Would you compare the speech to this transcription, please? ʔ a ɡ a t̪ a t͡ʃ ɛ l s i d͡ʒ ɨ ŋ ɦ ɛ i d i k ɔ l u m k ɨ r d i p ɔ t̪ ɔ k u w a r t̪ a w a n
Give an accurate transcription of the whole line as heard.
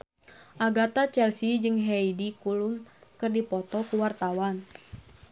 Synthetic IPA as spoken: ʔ a ɡ a t̪ a t͡ʃ ɛ l s i d͡ʒ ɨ ŋ ɦ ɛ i d i k u l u m k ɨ r d i p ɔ t̪ ɔ k u w a r t̪ a w a n